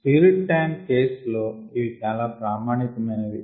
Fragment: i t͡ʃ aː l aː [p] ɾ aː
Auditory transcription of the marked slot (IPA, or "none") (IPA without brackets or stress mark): p